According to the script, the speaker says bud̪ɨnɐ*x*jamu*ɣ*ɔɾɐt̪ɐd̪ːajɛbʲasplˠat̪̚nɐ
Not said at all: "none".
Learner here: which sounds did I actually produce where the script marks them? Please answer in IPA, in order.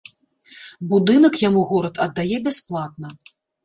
k, ɣ

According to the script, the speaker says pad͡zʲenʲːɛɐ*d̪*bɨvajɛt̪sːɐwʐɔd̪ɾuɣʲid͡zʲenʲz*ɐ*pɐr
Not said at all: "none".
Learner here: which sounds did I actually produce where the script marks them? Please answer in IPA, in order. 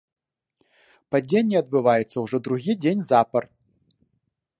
d̪, a

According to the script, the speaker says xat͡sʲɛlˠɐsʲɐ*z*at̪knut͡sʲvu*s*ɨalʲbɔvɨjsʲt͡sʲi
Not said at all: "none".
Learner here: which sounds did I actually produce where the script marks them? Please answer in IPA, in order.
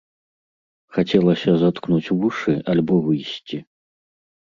z, ʂ

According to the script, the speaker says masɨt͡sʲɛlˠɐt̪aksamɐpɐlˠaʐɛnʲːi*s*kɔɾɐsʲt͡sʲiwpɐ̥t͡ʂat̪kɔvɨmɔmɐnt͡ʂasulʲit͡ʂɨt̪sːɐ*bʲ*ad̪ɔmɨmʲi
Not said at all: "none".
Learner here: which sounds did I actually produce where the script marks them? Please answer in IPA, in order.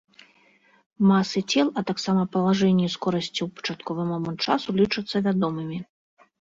s, vʲ

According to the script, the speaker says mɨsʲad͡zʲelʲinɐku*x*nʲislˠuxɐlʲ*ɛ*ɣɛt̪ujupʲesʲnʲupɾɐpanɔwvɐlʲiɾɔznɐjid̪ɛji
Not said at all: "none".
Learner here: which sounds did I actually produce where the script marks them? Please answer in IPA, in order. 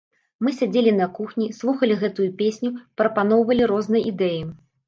x, i

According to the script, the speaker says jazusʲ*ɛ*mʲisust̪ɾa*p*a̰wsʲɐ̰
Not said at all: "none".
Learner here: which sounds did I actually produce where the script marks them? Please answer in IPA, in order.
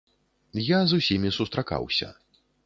i, k

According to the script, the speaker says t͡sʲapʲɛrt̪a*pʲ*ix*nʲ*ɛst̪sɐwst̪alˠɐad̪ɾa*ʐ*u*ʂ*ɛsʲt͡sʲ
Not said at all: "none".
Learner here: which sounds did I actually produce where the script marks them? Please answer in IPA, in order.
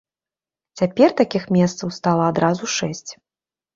kʲ, mʲ, z, ʂ

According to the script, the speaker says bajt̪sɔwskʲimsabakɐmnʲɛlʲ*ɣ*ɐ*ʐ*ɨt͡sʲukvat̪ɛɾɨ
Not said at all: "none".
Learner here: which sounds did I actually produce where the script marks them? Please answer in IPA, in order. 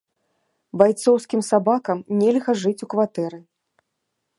ɣ, ʐ

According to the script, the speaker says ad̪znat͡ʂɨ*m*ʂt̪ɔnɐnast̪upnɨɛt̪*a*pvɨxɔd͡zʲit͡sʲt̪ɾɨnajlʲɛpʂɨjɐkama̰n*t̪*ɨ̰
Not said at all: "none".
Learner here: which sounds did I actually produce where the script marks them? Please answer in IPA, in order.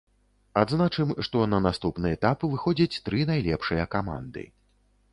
m, a, d̪

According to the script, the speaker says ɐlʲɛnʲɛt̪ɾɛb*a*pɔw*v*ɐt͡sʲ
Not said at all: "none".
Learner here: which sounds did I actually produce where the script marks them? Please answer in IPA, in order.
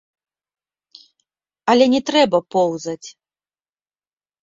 ɐ, z

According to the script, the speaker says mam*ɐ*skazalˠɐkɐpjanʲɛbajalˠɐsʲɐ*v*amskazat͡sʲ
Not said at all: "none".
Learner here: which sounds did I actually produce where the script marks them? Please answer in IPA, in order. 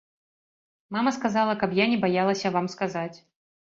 ɐ, v

